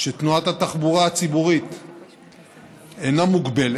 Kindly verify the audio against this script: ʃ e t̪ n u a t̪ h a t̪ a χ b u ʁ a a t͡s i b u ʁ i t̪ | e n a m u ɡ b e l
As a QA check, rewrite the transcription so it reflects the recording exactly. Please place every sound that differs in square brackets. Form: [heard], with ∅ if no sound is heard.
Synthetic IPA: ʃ e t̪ n u a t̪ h a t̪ a χ b u ʁ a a t͡s i b u ʁ i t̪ | e n a m u ɡ b e l